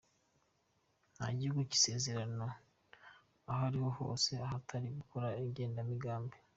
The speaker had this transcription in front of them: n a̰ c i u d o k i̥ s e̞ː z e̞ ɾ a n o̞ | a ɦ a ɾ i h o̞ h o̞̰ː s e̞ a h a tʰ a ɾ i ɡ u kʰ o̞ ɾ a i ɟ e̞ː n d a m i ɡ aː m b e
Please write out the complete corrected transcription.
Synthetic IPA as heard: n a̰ ɟ i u ɡ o c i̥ s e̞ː z e̞ ɾ a n o̞ | a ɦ a ɾ i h o̞ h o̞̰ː s e̞ a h a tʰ a ɾ i ɡ u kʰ o̞ ɾ a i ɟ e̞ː n d a m i ɡ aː m b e